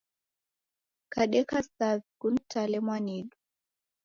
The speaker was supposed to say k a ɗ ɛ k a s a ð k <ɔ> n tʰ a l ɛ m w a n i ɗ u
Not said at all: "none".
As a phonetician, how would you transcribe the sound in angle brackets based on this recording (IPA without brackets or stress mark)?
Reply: u